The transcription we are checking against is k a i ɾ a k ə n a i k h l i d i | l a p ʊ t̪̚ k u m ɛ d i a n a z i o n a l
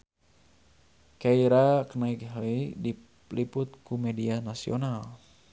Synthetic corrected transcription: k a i ɾ a k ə n a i k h l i d i | l i p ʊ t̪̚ k u m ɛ d i a n a s i o n a l